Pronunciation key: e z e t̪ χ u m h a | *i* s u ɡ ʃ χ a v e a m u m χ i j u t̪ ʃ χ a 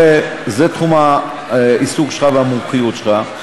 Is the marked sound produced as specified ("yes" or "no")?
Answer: yes